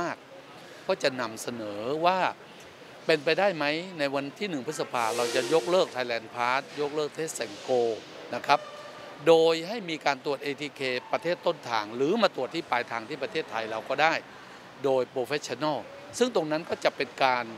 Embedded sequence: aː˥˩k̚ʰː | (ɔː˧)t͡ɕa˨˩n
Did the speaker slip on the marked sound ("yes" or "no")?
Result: yes